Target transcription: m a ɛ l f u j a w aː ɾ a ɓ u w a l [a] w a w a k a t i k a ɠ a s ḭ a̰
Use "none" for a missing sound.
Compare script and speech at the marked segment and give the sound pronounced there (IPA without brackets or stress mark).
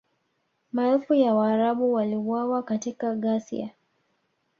i